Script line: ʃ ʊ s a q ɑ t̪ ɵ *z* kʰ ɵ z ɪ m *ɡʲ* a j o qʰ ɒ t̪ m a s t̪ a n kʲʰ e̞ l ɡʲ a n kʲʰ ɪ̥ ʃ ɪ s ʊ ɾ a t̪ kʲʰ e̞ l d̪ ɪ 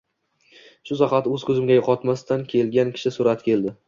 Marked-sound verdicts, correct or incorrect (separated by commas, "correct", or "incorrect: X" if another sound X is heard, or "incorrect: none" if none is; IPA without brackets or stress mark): correct, correct